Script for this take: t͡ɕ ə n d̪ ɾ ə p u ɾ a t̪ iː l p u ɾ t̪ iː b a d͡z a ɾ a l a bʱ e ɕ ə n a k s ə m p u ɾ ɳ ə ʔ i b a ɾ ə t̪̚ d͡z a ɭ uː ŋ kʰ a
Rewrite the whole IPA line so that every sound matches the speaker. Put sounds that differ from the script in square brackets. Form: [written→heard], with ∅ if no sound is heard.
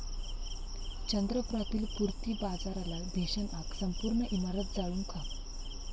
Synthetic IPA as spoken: t͡ɕ ə n d̪ ɾ ə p u ɾ a t̪ iː l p u ɾ t̪ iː b a d͡z a ɾ a l a bʱ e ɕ ə n a k s ə m p u ɾ ɳ ə ʔ i [b→m] a ɾ ə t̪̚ d͡z a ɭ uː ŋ kʰ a